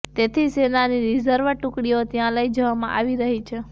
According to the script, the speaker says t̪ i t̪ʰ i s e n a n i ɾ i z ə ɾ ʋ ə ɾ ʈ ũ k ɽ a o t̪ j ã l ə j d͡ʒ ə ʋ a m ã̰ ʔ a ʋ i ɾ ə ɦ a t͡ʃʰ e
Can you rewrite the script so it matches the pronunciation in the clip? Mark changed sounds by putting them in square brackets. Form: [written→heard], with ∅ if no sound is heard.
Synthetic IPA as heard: t̪ [i→e] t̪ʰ i s e n a n i ɾ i z ə ɾ ʋ ə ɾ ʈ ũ k ɽ [a→i] o t̪ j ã l ə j d͡ʒ ə ʋ a m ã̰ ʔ a ʋ i ɾ ə ɦ [a→i] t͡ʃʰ e